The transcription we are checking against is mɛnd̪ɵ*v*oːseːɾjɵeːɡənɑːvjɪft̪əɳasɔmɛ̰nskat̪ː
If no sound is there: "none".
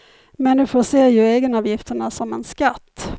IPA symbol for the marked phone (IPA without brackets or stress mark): f